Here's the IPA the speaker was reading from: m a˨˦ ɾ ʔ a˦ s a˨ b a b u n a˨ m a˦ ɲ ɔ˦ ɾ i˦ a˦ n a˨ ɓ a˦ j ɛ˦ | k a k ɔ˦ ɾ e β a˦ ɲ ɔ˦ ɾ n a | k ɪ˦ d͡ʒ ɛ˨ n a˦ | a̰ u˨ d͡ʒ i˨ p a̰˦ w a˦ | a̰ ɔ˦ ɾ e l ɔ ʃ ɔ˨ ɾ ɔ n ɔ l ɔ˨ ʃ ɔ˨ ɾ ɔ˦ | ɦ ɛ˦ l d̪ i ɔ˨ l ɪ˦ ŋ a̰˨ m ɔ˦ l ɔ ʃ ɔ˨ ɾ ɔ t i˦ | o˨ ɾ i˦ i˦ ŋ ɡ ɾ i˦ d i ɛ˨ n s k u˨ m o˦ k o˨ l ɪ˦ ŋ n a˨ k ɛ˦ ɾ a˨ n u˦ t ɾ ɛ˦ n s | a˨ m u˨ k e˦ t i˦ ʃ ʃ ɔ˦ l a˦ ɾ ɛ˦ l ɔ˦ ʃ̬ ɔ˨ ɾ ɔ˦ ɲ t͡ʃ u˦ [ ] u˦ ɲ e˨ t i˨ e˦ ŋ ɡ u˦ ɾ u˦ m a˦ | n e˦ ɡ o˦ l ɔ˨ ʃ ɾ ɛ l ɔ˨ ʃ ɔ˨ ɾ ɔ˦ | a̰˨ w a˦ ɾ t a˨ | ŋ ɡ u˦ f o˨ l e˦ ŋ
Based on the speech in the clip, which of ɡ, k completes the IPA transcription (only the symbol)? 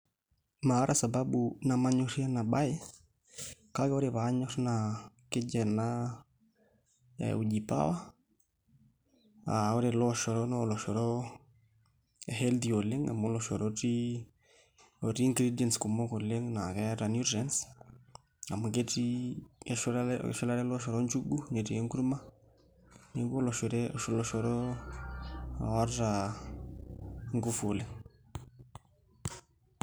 ɡ